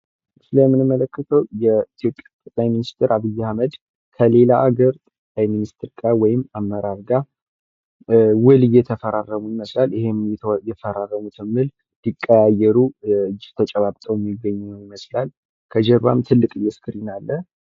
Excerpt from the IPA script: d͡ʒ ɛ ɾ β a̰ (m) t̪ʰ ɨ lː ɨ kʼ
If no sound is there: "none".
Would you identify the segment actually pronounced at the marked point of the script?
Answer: m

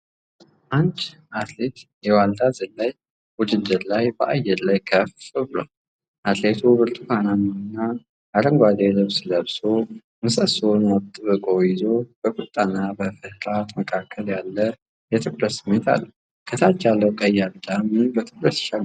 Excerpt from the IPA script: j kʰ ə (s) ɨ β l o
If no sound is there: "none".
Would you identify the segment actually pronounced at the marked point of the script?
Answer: f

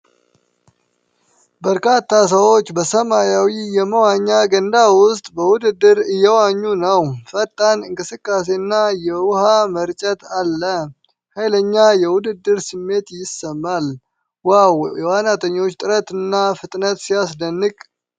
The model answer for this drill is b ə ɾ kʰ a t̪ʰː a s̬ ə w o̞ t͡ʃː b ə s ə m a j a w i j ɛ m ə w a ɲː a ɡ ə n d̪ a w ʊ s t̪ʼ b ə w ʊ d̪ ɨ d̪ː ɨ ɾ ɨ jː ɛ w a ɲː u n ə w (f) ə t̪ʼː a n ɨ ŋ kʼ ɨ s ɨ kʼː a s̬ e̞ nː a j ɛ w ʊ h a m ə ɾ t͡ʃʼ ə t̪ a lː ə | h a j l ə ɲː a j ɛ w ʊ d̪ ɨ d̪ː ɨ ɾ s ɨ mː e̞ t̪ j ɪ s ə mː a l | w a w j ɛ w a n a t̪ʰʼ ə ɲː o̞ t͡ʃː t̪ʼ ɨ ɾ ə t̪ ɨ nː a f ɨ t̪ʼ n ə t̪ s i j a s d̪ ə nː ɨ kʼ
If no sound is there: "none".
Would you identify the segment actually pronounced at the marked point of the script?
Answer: f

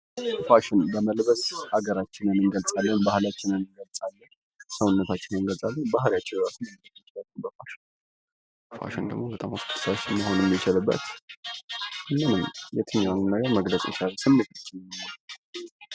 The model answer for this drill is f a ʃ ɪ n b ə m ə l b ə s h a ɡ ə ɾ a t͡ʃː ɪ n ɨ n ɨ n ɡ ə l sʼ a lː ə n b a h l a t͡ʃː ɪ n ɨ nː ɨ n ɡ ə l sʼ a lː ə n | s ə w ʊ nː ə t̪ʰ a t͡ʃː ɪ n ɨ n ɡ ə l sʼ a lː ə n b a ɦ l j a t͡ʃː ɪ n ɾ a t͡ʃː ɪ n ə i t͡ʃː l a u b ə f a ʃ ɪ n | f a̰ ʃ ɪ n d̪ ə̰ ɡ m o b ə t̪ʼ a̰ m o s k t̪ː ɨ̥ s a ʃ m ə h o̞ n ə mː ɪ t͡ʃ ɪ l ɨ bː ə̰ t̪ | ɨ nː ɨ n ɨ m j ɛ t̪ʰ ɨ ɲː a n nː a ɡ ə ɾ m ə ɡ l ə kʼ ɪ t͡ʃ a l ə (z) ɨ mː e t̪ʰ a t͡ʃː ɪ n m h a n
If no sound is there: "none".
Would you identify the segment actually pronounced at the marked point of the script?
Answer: s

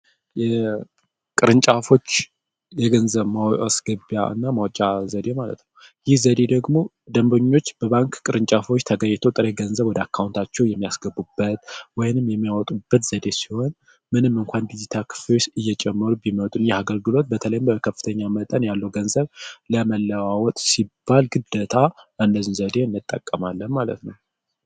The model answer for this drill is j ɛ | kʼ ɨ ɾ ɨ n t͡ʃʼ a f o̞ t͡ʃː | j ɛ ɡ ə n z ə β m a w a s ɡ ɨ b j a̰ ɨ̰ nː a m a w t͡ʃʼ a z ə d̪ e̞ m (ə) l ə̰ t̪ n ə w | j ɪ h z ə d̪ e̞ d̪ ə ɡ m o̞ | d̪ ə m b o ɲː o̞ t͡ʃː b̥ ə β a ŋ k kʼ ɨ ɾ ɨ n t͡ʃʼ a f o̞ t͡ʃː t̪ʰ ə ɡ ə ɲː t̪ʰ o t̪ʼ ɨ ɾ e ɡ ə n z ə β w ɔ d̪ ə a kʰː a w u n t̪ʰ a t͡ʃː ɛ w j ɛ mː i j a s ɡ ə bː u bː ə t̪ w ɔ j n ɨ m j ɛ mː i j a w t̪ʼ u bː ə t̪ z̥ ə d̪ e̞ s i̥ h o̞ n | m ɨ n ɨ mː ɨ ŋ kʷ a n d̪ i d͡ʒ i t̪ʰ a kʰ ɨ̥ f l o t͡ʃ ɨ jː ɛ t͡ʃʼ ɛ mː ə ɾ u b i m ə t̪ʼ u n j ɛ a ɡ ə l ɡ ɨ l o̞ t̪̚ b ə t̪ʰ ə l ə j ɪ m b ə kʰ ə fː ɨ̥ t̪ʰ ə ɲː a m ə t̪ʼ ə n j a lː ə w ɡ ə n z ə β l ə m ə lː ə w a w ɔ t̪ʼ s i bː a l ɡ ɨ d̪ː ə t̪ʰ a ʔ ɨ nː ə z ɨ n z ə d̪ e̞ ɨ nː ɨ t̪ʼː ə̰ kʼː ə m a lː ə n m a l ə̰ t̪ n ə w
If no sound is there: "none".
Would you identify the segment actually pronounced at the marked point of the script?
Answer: a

